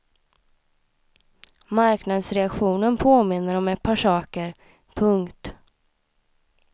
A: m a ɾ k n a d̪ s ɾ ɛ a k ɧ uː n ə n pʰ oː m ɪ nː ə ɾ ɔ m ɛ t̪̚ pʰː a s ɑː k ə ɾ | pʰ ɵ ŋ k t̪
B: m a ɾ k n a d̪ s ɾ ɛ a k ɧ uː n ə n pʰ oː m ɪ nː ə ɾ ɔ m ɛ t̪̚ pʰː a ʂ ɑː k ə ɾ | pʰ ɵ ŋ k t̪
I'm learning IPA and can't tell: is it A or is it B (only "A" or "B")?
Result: B